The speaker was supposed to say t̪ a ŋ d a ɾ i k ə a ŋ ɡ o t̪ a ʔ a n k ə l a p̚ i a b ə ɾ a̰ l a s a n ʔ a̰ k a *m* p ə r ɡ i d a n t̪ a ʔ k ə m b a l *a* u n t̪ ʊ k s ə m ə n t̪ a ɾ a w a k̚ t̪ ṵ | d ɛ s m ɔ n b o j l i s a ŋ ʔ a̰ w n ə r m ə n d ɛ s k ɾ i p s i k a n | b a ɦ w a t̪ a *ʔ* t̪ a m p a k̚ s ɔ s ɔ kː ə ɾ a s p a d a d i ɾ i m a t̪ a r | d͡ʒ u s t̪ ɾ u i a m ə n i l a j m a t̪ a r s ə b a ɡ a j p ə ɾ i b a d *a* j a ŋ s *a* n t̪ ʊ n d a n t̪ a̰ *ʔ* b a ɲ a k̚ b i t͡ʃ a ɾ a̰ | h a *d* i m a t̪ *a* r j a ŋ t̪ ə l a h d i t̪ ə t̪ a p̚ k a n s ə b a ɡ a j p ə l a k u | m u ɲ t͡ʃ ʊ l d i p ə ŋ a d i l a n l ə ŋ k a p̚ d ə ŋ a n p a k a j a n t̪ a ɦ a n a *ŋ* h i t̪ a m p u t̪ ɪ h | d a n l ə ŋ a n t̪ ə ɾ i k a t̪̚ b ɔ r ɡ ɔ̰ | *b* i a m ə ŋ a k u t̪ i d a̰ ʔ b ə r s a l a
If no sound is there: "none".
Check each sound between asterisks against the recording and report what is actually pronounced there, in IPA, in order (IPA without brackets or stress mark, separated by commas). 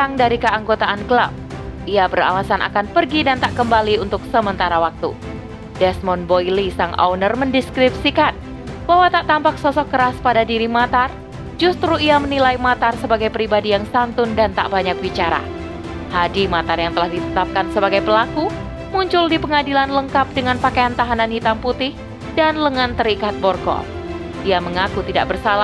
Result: n, i, ʔ, i, a, ʔ, d, a, n, d